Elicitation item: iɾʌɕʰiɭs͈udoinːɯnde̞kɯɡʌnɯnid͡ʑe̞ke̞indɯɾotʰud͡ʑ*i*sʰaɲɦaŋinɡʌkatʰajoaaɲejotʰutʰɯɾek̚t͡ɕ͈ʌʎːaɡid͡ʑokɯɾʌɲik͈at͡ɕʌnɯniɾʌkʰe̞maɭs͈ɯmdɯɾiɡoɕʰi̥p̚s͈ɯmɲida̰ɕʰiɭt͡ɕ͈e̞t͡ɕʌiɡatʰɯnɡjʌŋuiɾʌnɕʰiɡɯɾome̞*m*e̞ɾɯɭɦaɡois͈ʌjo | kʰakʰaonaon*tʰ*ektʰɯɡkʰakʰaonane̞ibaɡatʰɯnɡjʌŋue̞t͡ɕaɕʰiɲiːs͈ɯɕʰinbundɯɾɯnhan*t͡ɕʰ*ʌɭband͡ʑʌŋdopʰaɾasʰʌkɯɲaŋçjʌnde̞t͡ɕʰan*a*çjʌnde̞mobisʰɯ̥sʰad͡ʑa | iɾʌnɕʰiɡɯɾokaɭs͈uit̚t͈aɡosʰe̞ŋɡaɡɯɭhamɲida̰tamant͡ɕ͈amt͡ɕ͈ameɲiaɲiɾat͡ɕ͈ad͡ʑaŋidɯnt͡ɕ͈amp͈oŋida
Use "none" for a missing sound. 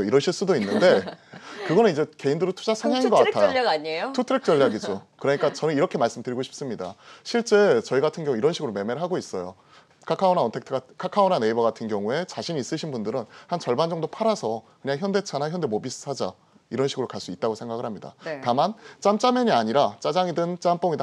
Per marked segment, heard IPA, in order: a, m, tʰ, t͡ɕ, a

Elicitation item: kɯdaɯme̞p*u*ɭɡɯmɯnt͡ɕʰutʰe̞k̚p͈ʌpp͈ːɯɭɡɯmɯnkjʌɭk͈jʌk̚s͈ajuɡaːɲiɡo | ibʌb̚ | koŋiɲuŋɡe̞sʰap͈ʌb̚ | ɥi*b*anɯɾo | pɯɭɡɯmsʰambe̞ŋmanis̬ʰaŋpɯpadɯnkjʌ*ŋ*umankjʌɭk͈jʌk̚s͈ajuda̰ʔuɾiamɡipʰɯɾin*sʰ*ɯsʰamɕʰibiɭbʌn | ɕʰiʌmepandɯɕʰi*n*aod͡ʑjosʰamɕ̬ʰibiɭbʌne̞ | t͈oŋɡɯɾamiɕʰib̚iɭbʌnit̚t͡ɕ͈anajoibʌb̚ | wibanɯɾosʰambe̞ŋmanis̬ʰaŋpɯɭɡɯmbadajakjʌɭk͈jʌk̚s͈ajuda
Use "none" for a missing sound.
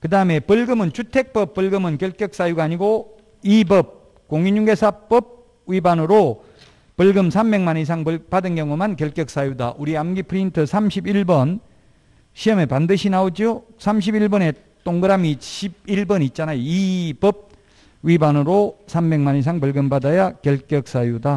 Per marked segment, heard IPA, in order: ɯ, b, ŋ, tʰ, n

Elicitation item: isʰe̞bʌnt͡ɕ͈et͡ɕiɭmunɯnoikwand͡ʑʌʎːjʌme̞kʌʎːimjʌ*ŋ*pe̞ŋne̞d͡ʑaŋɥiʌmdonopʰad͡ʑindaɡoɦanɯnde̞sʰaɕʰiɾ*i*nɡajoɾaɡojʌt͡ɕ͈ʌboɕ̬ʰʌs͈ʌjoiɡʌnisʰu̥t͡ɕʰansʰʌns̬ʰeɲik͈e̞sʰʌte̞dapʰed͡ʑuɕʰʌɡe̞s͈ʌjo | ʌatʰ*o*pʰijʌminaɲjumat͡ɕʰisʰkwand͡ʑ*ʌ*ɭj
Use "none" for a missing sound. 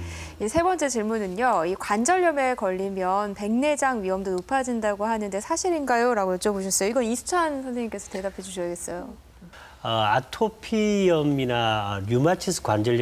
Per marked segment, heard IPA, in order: n, i, o, ʌ

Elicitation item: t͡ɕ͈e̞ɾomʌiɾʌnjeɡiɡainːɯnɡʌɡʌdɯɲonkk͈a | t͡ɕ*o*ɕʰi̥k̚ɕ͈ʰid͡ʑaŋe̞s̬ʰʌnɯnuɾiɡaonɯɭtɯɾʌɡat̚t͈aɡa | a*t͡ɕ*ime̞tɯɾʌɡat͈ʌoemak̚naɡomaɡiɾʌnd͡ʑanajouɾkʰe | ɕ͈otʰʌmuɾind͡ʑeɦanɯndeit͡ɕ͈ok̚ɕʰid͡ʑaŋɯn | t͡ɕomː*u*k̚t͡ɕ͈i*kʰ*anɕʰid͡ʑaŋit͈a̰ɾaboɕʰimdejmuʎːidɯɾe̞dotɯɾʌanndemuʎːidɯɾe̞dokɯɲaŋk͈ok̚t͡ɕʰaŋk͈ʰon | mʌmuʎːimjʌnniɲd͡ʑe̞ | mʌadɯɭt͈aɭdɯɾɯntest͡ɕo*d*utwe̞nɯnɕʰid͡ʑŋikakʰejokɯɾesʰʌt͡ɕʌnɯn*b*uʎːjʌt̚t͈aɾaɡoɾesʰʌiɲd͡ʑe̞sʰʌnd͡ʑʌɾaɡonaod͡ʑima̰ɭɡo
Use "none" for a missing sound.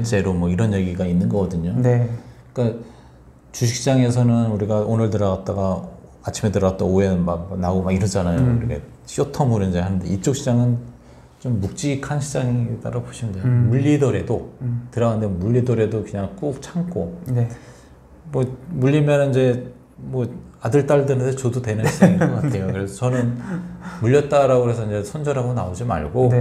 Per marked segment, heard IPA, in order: u, t͡ɕʰ, u, kʰ, d, m

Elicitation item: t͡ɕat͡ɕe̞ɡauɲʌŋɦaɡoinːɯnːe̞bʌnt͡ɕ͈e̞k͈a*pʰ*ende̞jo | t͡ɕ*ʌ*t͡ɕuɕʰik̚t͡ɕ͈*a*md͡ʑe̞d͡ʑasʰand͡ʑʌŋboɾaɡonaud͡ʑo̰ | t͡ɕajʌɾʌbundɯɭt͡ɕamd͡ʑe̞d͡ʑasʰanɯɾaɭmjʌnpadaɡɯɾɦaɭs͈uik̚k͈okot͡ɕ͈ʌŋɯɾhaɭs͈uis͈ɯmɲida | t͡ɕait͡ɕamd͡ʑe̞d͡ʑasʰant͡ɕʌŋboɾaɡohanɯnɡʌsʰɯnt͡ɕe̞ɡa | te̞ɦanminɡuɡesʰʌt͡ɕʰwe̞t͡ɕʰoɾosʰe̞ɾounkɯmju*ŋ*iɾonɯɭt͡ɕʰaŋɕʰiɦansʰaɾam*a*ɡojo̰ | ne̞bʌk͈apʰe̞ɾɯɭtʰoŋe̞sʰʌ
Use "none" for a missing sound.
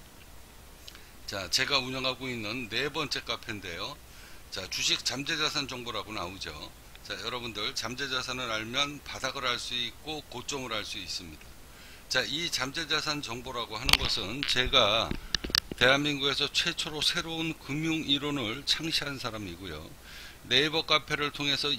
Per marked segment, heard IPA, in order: pʰ, a, a, ŋ, i

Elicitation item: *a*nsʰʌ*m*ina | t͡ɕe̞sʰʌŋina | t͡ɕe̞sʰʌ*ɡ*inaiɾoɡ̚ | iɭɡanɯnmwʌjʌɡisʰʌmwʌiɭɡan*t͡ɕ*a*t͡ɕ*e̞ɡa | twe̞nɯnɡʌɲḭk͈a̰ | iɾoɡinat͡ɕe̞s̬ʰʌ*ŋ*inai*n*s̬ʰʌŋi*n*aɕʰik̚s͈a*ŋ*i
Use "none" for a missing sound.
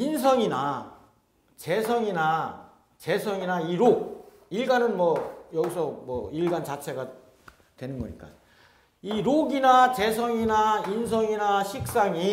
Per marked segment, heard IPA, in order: i, ŋ, ŋ, t͡ɕ, t͡ɕʰ, ŋ, n, n, ŋ

